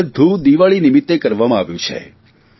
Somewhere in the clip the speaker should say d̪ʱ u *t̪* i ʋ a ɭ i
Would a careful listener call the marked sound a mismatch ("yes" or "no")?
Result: yes